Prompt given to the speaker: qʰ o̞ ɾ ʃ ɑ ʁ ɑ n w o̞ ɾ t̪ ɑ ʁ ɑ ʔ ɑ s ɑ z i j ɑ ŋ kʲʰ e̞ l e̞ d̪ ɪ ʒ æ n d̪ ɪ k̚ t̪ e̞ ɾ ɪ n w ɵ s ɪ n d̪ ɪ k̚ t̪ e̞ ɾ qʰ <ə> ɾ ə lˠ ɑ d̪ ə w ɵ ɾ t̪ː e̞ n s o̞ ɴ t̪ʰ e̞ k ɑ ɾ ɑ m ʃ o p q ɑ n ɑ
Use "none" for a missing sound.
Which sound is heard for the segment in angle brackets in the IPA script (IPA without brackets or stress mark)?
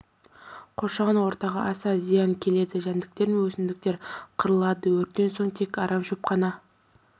ə